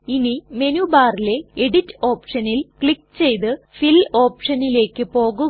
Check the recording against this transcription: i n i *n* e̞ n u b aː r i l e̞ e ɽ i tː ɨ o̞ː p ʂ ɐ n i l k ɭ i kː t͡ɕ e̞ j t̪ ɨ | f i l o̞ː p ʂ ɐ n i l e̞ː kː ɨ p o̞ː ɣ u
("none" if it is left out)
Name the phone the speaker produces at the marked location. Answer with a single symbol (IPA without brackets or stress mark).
m